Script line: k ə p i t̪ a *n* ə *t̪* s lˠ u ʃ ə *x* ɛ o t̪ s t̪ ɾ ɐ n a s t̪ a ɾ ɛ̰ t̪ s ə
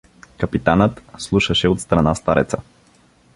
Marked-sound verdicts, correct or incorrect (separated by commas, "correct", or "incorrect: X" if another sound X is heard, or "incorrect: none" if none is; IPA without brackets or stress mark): correct, correct, incorrect: ʃ